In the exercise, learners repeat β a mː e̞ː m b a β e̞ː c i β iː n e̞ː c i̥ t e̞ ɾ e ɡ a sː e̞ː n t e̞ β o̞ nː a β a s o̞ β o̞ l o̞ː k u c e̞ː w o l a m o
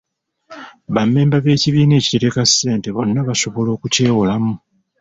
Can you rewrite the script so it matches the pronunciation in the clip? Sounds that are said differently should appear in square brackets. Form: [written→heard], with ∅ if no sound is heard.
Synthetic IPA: β a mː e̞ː m b a β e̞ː c i β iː n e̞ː c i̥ t e̞ ɾ e [ɡ→k] a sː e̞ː n t e̞ β o̞ nː a β a s o̞ β o̞ l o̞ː k u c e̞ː w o l a m [o→u]